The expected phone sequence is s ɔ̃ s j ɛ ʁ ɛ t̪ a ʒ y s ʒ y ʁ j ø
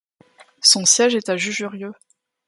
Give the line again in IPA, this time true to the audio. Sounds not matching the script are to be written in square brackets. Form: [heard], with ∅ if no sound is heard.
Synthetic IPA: s ɔ̃ s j ɛ [ʒ] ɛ t̪ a ʒ y [∅] ʒ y ʁ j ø